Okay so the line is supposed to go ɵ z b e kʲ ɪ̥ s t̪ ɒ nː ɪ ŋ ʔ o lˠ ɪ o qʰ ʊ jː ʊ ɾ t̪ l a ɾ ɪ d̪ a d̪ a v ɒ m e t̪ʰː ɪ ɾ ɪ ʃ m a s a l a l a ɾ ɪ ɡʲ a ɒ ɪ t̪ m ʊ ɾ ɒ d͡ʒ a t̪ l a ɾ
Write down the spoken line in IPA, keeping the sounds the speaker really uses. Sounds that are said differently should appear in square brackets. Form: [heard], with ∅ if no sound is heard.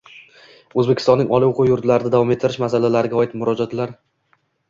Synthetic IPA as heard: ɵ z b e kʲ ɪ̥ s t̪ ɒ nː ɪ ŋ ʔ [ɒ] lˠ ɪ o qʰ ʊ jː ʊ ɾ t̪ l a ɾ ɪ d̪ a d̪ a v ɒ m e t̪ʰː ɪ ɾ ɪ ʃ m a s a l a l a ɾ ɪ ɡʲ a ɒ ɪ t̪ m ʊ ɾ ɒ d͡ʒ a t̪ l a ɾ